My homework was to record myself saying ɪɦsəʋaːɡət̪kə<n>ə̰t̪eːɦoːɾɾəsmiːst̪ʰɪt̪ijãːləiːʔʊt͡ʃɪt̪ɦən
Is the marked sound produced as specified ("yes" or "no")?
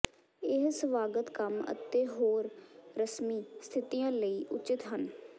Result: no